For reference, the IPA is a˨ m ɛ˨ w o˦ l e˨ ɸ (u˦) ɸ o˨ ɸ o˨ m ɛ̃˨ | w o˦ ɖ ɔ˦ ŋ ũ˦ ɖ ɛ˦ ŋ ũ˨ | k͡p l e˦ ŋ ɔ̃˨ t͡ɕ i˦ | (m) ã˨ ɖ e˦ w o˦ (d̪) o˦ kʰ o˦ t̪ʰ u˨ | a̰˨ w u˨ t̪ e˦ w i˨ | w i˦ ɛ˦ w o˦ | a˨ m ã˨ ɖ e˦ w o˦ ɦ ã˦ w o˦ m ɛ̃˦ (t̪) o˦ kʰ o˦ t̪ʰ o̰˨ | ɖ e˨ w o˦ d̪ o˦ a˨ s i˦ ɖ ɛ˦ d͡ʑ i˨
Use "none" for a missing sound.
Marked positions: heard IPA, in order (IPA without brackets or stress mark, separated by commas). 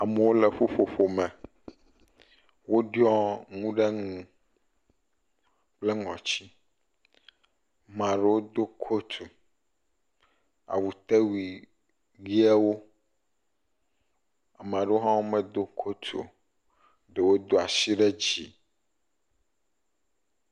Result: o˦, m, d̪, d̪